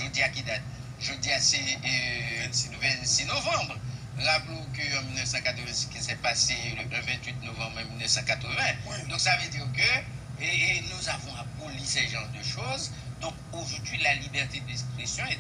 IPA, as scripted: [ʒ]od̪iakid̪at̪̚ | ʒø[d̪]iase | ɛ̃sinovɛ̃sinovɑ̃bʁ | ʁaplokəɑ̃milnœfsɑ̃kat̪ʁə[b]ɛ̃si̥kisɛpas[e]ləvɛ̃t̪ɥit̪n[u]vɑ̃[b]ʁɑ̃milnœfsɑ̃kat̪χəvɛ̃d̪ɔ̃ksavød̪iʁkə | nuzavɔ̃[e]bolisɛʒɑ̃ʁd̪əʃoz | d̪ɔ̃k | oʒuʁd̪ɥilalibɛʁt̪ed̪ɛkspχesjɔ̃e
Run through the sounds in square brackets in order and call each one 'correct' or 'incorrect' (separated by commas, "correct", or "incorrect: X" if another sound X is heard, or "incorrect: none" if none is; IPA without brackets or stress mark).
correct, correct, incorrect: v, correct, incorrect: o, correct, incorrect: a